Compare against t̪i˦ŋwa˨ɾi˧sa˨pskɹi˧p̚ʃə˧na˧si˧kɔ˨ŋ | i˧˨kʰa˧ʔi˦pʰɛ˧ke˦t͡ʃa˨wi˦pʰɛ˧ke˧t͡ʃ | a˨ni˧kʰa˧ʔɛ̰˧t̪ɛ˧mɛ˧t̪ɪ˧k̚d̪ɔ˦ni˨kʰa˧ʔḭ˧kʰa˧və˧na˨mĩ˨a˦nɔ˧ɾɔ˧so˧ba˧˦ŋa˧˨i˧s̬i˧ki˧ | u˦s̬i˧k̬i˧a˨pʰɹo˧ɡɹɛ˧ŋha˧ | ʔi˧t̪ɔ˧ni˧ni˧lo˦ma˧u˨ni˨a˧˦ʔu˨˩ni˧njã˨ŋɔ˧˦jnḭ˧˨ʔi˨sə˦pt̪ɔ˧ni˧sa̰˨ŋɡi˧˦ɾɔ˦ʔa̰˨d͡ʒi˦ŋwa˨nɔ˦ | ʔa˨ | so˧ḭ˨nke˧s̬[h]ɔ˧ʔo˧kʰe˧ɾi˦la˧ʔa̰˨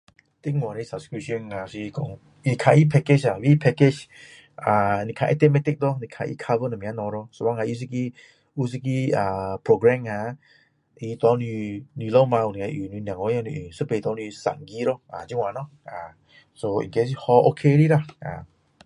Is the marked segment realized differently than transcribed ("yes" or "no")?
no